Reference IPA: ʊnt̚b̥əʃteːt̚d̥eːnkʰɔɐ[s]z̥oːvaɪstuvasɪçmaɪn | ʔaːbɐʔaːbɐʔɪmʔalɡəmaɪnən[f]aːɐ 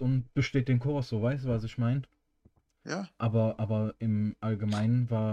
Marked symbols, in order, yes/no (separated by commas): yes, no